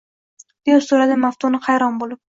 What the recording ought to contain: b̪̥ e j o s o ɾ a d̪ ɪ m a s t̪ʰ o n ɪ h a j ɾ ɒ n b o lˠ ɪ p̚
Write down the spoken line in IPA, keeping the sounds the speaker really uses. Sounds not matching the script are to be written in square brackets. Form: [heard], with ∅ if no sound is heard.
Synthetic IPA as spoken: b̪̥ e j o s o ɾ a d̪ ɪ m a [f] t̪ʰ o n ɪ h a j ɾ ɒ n b o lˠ ɪ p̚